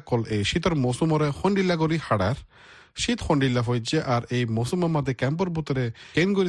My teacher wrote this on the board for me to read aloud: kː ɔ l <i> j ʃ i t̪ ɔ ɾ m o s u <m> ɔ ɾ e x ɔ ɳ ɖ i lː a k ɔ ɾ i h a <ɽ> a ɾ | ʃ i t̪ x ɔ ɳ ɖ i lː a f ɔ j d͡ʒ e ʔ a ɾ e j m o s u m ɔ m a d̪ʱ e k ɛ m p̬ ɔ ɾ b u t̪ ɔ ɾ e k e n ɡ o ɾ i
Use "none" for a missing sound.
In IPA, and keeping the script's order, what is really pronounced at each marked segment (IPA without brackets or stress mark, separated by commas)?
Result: e, m, ɽ